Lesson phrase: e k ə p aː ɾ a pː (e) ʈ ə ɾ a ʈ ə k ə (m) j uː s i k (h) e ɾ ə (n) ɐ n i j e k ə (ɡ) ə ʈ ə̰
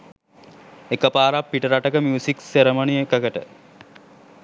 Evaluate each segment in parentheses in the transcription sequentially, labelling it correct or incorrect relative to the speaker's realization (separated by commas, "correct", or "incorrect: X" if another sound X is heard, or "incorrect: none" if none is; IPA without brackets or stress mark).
incorrect: i, correct, incorrect: s, incorrect: m, incorrect: k